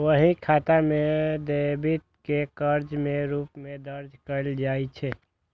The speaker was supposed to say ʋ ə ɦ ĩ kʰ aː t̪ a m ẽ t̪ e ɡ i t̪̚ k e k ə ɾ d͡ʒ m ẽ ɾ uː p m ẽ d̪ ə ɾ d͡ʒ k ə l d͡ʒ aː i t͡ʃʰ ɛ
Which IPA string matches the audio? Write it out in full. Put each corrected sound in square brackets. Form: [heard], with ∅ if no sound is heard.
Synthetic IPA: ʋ ə ɦ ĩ kʰ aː t̪ a m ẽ [d̪] e [b] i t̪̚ k e k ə ɾ d͡ʒ m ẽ ɾ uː p m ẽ d̪ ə ɾ d͡ʒ k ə l d͡ʒ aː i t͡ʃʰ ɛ